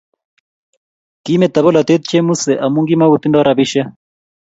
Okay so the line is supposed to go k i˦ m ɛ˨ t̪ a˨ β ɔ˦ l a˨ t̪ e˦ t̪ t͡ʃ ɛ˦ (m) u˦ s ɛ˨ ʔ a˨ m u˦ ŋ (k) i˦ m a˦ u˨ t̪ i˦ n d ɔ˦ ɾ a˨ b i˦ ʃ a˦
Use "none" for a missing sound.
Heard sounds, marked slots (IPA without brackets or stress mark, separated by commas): m, ɡ